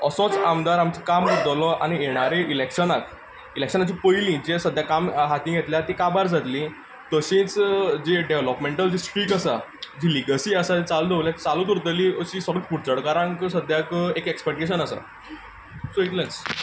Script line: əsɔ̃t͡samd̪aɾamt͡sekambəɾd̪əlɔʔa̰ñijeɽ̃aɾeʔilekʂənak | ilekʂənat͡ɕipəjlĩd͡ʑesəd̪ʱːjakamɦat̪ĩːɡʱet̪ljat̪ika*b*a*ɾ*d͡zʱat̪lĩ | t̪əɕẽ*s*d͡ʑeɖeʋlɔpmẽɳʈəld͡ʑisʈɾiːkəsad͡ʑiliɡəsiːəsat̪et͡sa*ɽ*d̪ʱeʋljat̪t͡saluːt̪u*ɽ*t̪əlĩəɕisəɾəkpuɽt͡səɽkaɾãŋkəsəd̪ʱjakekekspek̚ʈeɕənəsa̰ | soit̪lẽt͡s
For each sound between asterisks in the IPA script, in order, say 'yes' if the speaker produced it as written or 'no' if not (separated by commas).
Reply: yes, yes, no, no, no